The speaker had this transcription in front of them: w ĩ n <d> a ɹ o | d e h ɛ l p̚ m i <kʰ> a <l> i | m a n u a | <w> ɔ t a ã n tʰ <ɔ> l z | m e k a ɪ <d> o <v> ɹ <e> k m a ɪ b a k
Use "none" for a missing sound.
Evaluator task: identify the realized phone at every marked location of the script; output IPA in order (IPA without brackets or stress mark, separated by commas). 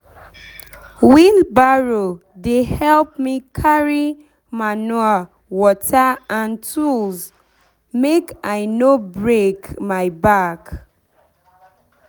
b, kʰ, ɹ, w, u, n, b, e